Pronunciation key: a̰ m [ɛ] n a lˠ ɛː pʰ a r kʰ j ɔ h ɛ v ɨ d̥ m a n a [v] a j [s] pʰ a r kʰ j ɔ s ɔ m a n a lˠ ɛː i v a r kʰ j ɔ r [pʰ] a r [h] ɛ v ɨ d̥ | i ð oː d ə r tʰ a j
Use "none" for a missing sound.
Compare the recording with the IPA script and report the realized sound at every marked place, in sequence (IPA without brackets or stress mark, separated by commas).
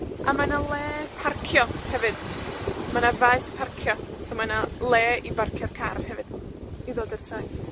a, v, s, kʰ, h